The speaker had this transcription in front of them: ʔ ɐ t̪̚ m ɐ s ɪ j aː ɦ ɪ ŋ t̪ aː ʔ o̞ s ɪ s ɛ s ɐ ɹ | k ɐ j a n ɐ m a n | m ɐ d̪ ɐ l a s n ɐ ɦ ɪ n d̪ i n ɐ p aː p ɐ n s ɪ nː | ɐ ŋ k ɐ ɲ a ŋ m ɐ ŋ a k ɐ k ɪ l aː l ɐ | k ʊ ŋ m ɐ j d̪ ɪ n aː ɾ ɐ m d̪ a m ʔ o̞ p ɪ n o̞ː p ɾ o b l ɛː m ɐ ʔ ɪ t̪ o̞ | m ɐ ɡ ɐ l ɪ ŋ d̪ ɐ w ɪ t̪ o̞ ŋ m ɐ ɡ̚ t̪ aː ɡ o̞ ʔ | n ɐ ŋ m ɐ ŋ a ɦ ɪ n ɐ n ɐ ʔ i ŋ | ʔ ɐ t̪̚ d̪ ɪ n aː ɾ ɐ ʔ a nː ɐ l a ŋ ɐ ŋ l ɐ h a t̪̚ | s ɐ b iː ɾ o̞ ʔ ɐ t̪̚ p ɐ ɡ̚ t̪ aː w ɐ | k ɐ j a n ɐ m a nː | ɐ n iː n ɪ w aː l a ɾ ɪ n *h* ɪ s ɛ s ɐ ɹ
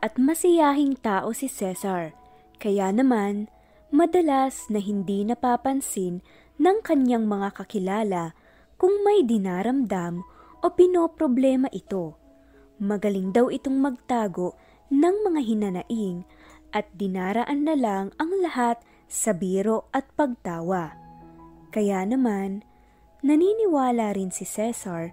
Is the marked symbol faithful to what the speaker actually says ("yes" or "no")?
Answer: no